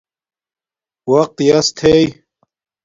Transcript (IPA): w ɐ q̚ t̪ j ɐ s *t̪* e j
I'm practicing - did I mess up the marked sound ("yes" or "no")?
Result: yes